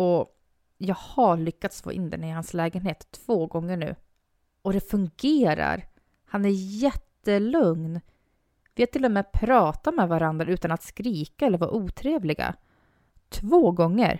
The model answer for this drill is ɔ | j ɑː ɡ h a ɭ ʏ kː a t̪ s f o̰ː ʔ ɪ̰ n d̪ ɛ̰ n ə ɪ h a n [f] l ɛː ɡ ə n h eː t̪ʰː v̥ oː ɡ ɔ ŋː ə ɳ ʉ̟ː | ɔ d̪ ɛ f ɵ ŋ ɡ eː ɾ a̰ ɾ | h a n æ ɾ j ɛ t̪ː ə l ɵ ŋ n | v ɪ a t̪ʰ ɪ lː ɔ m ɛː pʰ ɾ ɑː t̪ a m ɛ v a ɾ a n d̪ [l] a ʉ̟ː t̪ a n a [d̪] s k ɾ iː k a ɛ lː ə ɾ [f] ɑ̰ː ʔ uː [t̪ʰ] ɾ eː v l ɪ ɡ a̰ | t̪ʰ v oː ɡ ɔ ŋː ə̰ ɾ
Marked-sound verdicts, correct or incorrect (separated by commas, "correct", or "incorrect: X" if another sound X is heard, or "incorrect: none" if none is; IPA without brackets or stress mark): incorrect: s, incorrect: ɾ, incorrect: t̪, incorrect: v, correct